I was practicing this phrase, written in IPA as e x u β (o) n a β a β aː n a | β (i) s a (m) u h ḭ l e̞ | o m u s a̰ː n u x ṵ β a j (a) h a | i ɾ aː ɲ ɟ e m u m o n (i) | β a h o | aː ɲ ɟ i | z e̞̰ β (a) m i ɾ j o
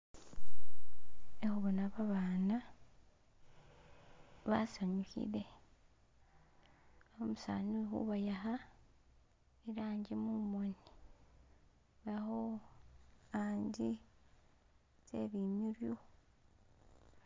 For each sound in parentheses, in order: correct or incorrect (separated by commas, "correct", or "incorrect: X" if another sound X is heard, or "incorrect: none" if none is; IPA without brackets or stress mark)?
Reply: correct, incorrect: a, incorrect: ɲ, correct, correct, incorrect: i